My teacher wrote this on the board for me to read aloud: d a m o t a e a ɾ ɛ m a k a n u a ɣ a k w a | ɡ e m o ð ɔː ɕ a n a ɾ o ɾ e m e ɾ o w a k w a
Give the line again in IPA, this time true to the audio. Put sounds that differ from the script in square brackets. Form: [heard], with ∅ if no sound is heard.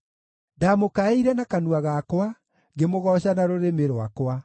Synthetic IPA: d a m o [k] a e [i] ɾ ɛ [n] a k a n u a ɣ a k w a | ɡ e m o [ɣ] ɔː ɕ a n a ɾ o ɾ e m e ɾ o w a k w a

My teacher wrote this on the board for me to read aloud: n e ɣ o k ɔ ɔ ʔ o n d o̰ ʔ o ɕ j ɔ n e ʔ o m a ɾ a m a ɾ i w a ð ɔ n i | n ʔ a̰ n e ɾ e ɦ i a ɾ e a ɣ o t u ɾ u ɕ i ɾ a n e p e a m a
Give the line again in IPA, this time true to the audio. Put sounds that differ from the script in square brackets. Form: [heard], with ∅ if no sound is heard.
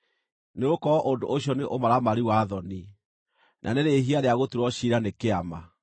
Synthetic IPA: n e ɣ o k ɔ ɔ ʔ o n d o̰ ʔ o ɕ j ɔ n e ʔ o m a ɾ a m a ɾ i w a ð ɔ n i | n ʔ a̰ n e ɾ e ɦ i a ɾ e a ɣ o t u ɾ [ɔ] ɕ i ɾ a n e [k] e a m a

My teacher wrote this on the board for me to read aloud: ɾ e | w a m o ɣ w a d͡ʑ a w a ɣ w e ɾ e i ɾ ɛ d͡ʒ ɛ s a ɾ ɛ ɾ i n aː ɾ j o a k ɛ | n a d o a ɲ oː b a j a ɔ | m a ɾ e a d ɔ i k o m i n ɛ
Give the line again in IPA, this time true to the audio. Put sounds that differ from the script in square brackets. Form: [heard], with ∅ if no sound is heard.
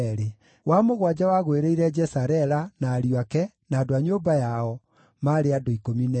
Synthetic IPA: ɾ e | w a m o ɣ w a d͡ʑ a w a ɣ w e ɾ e i ɾ ɛ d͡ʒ ɛ s a ɾ ɛ ɾ [a] n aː ɾ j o a k ɛ | n a d o a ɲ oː b a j a ɔ | m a ɾ e a d [o] i k o m i n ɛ

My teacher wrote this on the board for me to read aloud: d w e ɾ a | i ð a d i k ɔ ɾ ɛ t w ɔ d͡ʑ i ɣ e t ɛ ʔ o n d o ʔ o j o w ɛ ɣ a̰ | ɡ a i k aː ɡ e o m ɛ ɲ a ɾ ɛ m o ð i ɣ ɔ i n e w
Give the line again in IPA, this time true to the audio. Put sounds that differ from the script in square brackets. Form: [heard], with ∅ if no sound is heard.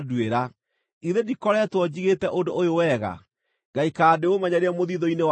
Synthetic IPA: d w e ɾ a | i ð [e] d i k ɔ ɾ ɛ t w ɔ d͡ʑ i ɣ e t ɛ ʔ o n d o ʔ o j o w ɛ ɣ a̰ | ɡ a i k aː [d] e o m ɛ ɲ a ɾ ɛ m o ð i [ð] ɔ i n e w

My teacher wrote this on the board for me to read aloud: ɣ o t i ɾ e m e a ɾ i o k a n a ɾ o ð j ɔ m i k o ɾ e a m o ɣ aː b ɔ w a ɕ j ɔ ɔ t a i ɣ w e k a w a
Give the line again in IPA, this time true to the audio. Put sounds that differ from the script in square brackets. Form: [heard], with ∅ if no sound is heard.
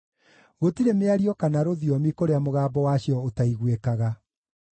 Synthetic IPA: ɣ o t i ɾ e m e a ɾ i [ɔ] k a n a ɾ o ð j ɔ m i k o ɾ e a m o ɣ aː b ɔ w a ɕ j ɔ [o] t a i ɣ w e k a [ɣ] a

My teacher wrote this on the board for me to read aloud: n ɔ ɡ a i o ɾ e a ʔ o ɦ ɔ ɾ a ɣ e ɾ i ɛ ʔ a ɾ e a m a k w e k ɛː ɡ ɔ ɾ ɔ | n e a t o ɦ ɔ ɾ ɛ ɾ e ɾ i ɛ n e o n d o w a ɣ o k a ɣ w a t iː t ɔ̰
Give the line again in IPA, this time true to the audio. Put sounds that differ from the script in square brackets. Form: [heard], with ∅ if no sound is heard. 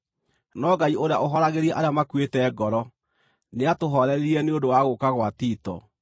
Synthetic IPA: n ɔ ɡ a i o ɾ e a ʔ o ɦ ɔ ɾ a ɣ e ɾ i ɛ ʔ a ɾ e a m a k w e [t] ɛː ɡ ɔ ɾ ɔ | n e a t o ɦ ɔ ɾ ɛ ɾ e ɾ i ɛ n e o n d o w a ɣ o k a ɣ w a t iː t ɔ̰

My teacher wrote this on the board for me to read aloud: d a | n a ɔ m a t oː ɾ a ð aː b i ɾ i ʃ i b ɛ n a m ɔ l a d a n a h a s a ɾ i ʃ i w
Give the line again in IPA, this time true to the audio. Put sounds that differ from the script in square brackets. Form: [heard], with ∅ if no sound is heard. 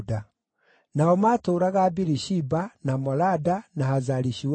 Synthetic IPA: d a | n a ɔ m a t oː ɾ a [ɣ] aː b i ɾ i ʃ i b [a] n a m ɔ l a d a n a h a [z] a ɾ i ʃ i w

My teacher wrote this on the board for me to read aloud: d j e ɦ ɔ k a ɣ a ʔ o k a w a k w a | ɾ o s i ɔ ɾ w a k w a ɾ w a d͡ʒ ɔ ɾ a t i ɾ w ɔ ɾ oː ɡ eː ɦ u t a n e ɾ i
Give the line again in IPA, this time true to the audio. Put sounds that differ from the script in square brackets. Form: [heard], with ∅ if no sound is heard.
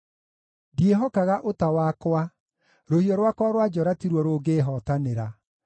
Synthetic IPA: d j e ɦ ɔ k a ɣ a ʔ o [t] a w a k w a | ɾ o [h] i ɔ ɾ w a k w a ɾ w a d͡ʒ ɔ ɾ a t i ɾ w ɔ ɾ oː ɡ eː ɦ [ɔ] t a n e ɾ [a]

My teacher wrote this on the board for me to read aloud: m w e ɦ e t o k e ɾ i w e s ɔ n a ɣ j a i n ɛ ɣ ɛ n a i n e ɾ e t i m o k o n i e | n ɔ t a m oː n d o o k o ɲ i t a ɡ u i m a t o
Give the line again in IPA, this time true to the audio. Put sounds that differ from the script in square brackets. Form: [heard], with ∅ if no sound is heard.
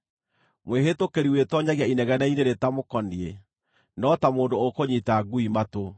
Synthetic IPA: m w e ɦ e t o k e ɾ i w e [t] ɔ [ɲ] a ɣ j a i n ɛ ɣ ɛ n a i n e ɾ e t [a] m o k [ɔ] n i e | n ɔ t a m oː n d o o k o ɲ i t a ɡ u i m a t o

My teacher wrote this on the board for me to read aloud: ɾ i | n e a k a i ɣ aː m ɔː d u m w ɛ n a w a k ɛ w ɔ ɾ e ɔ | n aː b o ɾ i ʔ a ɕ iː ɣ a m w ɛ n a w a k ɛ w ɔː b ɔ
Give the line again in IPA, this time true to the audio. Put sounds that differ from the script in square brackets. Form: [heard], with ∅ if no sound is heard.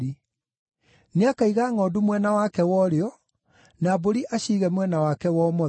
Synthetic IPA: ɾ i | n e a k a i ɣ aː [ŋ] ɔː d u m w ɛ n a w a k ɛ w ɔ ɾ e ɔ | n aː b o ɾ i ʔ a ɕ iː ɣ [ɛ] m w ɛ n a w a k ɛ w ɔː [m] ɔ

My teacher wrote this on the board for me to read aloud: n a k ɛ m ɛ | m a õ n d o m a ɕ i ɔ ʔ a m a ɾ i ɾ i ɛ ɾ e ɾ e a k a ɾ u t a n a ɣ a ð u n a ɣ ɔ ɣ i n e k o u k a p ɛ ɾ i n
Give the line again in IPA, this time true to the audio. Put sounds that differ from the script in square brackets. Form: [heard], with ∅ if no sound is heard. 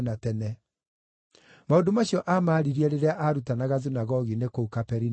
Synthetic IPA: n a [t] ɛ [n] ɛ | m a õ n d o m a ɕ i ɔ ʔ a m a ɾ i ɾ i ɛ ɾ e ɾ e a [ʔ] a ɾ u t a n a ɣ a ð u n a ɣ ɔ ɣ i n e k o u k a p ɛ ɾ i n

